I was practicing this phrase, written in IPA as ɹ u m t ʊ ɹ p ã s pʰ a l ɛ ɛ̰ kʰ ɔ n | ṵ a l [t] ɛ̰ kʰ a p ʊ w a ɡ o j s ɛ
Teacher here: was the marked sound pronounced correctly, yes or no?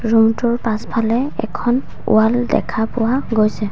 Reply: no